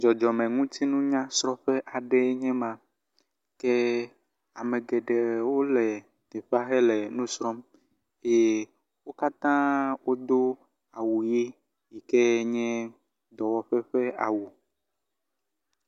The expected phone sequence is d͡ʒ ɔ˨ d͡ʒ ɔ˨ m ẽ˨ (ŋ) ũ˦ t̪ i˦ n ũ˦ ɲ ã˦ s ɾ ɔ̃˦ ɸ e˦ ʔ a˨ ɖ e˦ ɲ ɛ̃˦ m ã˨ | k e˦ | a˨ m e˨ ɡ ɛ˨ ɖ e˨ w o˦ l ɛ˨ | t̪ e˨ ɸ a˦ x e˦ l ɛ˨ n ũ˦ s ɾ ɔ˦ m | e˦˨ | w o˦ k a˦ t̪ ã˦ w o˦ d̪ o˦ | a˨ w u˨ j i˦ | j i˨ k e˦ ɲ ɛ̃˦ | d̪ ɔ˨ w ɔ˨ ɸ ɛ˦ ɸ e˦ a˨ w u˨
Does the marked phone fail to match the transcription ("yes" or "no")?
no